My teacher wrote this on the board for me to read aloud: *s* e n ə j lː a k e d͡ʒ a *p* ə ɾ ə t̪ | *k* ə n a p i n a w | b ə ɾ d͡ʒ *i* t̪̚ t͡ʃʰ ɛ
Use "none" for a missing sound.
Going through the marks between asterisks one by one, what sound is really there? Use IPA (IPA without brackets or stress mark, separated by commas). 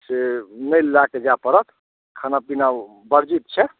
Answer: s, p, kʰ, i